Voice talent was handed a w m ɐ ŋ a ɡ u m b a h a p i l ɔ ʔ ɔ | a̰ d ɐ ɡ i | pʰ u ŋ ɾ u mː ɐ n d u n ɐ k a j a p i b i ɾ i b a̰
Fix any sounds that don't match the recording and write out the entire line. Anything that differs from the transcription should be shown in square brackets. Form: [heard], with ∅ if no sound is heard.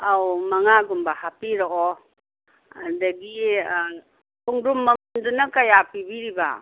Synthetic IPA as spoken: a w m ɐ ŋ a ɡ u m b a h a p i [ɾ] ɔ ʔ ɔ | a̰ d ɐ ɡ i | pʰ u ŋ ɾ u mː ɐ n d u n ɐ k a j a p i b i ɾ i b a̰